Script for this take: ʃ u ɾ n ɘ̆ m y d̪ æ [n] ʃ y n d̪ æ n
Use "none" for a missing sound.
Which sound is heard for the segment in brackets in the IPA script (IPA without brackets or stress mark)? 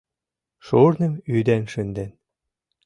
n